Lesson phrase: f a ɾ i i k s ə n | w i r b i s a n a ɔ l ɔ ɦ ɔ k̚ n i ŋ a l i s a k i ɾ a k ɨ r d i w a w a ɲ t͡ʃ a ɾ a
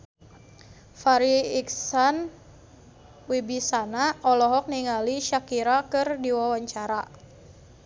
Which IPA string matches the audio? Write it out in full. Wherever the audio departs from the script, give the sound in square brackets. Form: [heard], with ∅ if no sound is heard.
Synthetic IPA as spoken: f a ɾ i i k s [a] n | w i [∅] b i s a n a ɔ l ɔ ɦ ɔ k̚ n i ŋ a l i [ʃ] a k i ɾ a k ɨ r d i w a w a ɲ t͡ʃ a ɾ a